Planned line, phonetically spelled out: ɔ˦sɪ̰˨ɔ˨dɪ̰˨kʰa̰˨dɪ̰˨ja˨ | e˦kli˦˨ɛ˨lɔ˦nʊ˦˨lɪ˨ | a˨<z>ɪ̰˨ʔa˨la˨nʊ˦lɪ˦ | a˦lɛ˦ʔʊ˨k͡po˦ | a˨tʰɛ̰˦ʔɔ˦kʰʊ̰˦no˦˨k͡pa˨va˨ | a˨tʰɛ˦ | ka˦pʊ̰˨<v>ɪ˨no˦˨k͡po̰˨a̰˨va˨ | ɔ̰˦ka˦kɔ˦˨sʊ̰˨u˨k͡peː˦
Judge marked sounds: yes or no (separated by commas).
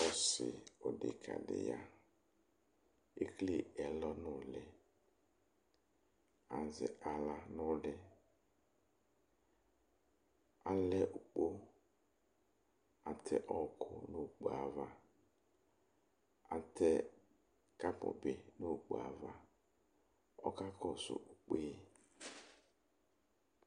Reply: yes, no